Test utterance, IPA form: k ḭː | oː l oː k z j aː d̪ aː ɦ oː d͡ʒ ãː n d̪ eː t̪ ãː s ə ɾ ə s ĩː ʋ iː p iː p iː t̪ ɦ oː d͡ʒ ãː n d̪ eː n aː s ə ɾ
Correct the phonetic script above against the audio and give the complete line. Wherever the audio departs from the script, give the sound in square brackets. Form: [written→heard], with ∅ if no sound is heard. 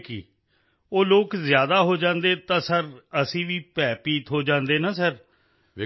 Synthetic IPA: k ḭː | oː l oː k z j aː d̪ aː ɦ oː d͡ʒ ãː n d̪ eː t̪ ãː s ə ɾ ə s ĩː ʋ iː p [iː→ɛː] p iː t̪ ɦ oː d͡ʒ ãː n d̪ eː n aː s ə ɾ